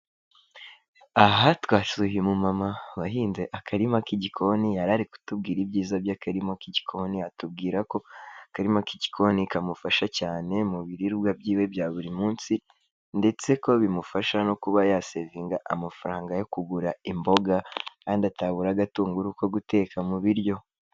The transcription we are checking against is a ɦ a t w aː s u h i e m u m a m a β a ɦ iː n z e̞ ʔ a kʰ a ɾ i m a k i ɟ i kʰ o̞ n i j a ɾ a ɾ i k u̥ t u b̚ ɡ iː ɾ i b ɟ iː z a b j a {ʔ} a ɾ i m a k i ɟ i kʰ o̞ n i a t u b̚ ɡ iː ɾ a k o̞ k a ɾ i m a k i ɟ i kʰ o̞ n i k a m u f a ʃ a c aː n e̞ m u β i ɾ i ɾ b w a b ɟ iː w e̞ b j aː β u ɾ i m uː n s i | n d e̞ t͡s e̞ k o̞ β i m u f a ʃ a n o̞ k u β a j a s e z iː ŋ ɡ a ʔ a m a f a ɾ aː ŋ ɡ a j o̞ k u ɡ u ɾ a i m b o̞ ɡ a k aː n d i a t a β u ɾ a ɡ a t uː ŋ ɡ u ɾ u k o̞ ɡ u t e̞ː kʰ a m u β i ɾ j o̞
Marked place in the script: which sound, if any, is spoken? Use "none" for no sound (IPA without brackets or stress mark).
k